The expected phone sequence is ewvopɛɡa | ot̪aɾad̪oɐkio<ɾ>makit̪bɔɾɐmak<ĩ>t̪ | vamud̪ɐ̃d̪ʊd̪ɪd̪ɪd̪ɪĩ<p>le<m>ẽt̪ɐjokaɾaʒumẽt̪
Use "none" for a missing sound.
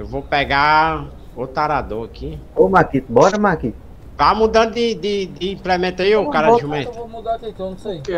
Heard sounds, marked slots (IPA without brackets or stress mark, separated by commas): none, i, p, m